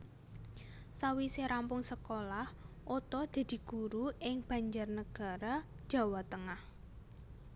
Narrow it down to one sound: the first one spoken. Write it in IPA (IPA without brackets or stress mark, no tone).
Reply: s